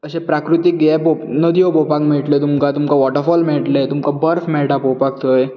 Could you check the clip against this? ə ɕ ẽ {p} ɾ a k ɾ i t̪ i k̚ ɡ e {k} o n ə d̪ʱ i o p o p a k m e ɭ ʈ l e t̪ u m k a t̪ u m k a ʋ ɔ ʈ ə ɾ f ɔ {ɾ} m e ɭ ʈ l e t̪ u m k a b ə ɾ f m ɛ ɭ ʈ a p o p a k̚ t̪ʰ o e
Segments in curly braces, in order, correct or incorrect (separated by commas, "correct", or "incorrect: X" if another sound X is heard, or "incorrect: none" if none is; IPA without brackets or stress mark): correct, incorrect: p, incorrect: l